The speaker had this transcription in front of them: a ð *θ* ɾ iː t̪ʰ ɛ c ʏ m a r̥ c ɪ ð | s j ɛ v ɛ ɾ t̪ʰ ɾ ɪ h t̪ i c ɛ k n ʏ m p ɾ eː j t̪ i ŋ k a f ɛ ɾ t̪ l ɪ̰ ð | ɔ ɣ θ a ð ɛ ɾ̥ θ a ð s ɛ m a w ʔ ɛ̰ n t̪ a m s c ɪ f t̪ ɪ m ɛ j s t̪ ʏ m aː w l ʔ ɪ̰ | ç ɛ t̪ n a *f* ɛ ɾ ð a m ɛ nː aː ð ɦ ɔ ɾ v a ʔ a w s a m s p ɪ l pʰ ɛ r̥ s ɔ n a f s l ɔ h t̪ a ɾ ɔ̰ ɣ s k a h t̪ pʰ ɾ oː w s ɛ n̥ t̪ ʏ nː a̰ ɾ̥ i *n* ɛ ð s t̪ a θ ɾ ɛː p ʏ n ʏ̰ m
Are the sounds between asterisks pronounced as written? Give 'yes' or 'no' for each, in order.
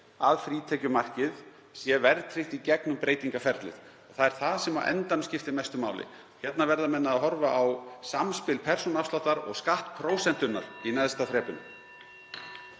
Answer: no, no, yes

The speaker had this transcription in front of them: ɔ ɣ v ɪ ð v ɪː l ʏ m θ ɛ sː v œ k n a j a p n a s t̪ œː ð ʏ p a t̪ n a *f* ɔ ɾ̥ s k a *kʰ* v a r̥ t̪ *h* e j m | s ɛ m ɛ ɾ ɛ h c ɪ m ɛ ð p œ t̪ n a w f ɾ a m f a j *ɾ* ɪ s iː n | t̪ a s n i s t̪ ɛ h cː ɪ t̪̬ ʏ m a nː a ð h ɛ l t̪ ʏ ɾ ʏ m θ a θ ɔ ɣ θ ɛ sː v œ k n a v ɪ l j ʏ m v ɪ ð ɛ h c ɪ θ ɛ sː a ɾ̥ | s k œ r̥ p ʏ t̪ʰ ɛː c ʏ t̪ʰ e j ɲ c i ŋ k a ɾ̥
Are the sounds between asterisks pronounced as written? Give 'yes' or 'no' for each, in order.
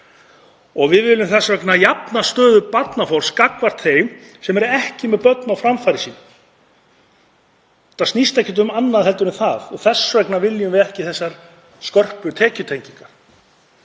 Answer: yes, no, no, yes

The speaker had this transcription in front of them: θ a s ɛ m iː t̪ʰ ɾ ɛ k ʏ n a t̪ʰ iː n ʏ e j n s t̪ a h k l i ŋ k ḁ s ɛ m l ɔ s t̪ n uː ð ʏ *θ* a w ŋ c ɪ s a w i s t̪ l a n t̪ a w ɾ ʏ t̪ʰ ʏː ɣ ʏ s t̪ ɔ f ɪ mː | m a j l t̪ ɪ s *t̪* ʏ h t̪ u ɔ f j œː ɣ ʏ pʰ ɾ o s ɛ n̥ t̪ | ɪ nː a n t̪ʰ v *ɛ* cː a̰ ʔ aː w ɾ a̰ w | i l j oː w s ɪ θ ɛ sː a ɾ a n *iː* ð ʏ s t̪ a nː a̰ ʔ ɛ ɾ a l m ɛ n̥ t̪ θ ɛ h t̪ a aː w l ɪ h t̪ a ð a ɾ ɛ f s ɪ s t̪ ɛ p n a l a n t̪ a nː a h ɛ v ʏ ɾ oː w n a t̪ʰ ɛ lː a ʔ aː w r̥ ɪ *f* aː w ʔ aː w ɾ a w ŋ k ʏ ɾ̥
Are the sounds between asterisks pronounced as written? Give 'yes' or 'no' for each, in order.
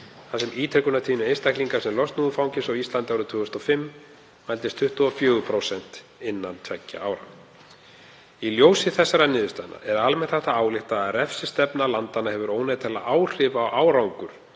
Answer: no, no, yes, no, no

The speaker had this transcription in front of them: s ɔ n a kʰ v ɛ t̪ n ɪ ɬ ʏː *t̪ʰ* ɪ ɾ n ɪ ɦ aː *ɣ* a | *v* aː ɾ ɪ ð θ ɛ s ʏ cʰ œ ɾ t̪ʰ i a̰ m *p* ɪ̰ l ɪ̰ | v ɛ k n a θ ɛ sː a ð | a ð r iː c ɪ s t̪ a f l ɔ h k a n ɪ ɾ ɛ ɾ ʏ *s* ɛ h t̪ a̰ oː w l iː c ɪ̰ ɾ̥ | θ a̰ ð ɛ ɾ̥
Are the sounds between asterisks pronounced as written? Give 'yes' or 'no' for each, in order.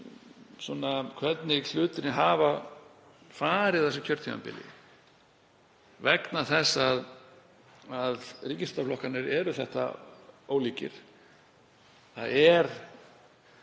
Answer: no, no, no, yes, no

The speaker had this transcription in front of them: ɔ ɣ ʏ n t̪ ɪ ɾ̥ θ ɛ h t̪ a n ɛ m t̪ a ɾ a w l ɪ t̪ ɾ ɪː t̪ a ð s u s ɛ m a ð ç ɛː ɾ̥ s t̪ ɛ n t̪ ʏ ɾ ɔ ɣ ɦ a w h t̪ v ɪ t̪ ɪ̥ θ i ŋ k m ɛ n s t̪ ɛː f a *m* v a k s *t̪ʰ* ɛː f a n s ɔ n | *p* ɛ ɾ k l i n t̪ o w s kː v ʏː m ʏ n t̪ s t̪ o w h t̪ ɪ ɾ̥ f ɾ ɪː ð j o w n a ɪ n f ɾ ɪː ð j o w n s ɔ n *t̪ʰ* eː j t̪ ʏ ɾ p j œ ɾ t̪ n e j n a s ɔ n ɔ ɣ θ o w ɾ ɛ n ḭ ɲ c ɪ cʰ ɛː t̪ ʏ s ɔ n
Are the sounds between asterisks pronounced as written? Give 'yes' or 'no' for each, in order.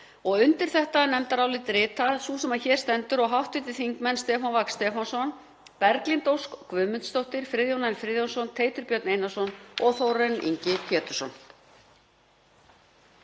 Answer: no, no, yes, yes

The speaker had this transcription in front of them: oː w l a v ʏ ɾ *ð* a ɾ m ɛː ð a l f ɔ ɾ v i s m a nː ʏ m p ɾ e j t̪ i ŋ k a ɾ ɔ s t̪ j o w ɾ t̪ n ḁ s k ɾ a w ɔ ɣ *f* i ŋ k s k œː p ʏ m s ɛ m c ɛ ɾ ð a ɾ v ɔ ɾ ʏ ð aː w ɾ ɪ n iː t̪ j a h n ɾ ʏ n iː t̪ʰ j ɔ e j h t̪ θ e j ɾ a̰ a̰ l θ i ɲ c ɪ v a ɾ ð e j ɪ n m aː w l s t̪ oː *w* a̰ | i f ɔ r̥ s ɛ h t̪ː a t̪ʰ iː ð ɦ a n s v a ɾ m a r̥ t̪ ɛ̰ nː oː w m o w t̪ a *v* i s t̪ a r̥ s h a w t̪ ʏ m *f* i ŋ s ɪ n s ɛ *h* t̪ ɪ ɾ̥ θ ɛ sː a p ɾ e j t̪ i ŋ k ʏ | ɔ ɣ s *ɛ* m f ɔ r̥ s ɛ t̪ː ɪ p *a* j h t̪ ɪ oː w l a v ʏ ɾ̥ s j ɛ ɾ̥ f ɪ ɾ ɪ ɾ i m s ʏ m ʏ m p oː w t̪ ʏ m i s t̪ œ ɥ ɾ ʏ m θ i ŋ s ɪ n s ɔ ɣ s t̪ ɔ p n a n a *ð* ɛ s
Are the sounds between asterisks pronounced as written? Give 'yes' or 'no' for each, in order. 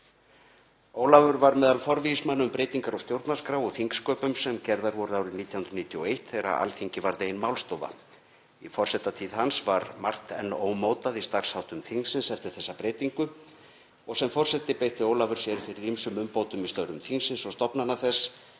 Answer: no, no, no, no, no, no, yes, no, no

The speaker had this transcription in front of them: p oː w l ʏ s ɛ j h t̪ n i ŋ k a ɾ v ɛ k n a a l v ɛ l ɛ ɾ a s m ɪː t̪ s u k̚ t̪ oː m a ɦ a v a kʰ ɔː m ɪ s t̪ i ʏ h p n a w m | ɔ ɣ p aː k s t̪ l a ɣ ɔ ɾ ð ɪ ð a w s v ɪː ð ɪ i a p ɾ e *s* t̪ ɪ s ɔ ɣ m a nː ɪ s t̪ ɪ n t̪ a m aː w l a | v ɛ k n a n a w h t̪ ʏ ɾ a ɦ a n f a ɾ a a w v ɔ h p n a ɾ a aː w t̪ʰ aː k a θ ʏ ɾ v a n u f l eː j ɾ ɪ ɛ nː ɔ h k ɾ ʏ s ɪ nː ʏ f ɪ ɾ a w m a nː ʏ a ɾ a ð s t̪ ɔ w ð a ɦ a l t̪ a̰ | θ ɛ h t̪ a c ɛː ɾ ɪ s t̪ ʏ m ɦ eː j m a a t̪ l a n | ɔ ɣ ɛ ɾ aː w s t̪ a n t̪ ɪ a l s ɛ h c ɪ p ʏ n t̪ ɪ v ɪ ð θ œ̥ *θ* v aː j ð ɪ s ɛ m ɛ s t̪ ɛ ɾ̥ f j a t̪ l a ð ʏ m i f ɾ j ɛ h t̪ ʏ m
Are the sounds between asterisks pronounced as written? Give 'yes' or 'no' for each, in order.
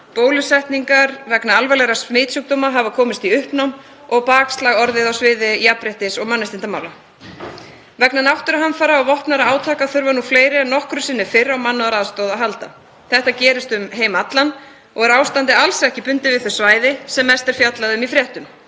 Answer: no, no

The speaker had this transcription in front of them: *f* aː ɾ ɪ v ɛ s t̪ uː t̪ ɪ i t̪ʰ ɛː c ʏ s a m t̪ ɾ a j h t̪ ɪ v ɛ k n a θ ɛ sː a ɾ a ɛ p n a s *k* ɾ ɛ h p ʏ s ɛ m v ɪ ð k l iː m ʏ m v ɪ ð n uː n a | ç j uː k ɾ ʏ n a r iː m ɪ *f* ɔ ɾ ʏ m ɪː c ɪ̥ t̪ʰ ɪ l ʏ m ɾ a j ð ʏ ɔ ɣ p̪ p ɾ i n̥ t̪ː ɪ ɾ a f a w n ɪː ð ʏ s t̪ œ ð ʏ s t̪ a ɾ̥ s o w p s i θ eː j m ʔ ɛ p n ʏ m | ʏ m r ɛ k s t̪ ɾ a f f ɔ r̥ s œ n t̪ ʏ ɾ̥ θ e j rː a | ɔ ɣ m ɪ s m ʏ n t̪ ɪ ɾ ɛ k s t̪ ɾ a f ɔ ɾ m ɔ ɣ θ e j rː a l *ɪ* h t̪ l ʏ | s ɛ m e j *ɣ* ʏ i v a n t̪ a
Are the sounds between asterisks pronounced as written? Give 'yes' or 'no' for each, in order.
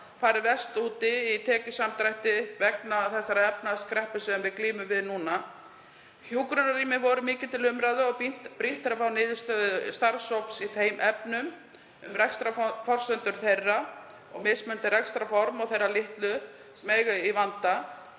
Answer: yes, yes, no, yes, yes

